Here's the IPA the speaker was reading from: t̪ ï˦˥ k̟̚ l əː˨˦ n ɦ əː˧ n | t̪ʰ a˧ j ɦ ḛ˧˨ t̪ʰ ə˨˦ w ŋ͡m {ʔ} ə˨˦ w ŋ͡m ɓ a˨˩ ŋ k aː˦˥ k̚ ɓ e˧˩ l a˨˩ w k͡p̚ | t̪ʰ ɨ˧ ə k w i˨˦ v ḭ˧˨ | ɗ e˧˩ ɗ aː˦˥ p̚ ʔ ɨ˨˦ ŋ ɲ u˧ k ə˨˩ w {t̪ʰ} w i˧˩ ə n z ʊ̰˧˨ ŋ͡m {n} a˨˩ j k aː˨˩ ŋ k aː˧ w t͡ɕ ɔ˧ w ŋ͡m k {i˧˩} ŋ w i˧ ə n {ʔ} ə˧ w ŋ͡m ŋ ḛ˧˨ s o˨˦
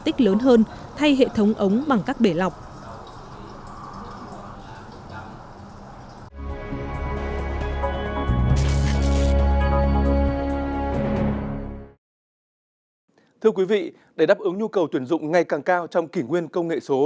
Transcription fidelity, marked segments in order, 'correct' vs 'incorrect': correct, incorrect: t̪, incorrect: ŋ, correct, incorrect: k

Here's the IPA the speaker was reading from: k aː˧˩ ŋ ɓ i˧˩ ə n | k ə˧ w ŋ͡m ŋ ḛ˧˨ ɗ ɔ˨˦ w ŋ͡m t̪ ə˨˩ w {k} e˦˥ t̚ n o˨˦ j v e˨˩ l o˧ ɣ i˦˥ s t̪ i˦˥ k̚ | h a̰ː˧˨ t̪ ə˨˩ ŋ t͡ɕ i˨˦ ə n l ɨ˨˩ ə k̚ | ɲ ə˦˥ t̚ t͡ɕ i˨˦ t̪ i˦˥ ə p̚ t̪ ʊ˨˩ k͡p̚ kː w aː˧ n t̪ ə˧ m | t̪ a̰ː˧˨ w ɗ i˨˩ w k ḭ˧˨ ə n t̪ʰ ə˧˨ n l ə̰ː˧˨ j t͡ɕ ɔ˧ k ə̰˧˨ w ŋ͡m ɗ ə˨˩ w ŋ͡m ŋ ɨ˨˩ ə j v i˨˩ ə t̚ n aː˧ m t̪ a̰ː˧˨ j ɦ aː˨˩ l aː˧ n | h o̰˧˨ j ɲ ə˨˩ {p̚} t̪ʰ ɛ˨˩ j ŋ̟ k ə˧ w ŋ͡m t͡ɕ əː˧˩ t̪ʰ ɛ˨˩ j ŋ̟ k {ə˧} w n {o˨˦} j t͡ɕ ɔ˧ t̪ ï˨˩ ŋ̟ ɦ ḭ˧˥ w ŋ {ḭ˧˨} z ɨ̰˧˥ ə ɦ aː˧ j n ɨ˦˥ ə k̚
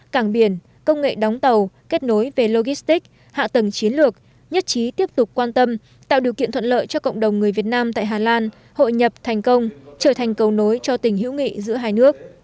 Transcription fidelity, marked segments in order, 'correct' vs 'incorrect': correct, correct, incorrect: ə˨˩, correct, correct

